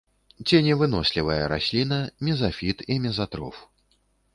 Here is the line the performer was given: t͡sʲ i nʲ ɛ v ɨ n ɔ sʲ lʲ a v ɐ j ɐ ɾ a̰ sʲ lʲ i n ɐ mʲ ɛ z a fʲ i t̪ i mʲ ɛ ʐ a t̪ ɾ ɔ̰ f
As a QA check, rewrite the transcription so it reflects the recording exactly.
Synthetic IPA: t͡sʲ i nʲ ɛ v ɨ n ɔ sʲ lʲ i v ɐ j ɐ ɾ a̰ sʲ lʲ i n ɐ mʲ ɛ z a fʲ i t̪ i mʲ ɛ z a t̪ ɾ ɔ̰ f